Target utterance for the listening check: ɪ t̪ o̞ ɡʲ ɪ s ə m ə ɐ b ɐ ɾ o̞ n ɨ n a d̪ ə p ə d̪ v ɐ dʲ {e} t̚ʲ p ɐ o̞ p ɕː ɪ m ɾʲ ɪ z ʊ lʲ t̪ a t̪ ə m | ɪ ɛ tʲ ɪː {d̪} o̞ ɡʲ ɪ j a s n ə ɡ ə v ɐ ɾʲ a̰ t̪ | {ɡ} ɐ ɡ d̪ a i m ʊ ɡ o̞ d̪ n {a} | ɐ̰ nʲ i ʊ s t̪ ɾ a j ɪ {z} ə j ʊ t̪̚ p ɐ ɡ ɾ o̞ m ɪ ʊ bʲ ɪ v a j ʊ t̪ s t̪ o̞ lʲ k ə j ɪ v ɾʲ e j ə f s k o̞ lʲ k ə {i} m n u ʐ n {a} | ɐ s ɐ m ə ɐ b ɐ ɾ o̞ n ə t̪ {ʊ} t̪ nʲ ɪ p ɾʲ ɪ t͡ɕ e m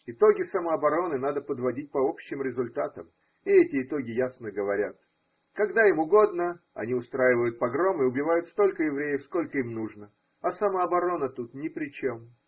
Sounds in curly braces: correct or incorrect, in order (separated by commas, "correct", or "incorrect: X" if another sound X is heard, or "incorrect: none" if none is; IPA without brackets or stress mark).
incorrect: i, incorrect: t̪, incorrect: k, incorrect: ə, incorrect: v, correct, incorrect: ə, incorrect: u